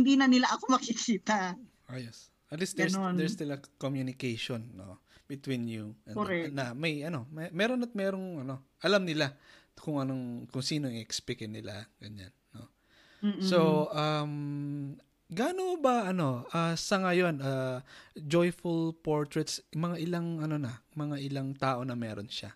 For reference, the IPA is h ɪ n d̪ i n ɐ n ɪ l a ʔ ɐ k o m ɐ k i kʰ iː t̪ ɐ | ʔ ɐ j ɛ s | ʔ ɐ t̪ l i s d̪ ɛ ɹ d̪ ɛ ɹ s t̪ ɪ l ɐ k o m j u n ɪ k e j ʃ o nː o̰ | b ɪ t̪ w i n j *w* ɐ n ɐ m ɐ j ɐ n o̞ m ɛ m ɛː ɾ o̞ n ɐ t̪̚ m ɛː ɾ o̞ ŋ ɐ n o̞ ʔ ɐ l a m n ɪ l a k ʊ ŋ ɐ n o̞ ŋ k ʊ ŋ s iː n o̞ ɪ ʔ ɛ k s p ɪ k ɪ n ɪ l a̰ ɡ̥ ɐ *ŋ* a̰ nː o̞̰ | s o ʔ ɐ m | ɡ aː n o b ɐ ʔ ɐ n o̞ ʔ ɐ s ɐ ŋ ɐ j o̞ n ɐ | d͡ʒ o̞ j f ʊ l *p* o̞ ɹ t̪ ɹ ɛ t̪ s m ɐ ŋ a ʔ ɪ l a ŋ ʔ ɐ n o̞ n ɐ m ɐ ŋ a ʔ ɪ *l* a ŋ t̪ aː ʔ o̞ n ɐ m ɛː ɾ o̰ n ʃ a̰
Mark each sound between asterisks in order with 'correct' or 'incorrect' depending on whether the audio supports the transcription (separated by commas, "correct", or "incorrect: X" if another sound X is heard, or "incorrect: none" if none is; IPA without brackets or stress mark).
incorrect: u, incorrect: ɲ, correct, correct